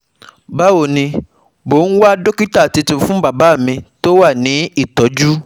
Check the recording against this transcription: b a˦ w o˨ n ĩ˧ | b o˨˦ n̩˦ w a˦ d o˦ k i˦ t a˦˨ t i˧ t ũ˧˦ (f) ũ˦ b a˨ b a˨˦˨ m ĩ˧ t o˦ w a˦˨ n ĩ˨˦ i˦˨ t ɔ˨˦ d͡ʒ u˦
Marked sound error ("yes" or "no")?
no